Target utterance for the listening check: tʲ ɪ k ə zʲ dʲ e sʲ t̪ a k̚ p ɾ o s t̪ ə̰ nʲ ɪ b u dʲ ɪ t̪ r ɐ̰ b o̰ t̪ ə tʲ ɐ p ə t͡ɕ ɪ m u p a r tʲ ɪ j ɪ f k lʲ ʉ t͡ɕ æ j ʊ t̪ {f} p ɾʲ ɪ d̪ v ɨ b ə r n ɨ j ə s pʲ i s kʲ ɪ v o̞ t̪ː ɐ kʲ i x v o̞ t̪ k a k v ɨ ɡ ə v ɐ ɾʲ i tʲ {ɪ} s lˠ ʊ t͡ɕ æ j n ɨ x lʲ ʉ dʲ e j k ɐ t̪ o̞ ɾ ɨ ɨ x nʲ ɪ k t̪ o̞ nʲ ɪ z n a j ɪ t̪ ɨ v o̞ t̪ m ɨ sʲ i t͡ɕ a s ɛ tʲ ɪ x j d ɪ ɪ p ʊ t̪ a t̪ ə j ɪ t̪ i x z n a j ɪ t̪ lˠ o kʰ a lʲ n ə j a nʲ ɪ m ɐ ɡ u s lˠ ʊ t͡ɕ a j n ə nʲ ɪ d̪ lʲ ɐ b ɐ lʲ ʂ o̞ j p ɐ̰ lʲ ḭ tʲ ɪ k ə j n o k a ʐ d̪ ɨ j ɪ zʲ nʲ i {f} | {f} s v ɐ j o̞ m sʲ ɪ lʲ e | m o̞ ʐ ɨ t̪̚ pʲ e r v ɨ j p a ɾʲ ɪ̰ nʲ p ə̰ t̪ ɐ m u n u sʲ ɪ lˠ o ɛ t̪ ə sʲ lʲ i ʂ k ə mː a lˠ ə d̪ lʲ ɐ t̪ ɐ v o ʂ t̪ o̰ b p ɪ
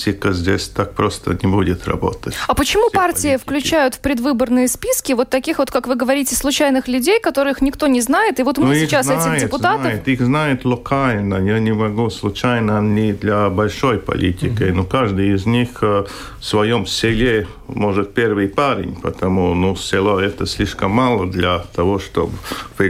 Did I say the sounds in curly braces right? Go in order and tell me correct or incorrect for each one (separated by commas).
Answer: correct, correct, incorrect, correct